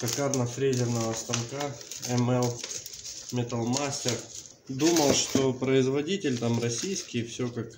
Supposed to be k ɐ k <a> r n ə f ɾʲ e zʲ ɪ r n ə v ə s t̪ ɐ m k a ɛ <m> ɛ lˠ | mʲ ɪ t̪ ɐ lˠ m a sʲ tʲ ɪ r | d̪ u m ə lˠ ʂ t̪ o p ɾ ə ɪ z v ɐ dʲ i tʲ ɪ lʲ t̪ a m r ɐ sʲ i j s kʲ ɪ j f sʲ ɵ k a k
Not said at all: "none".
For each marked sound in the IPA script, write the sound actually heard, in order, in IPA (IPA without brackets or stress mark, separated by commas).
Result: a, m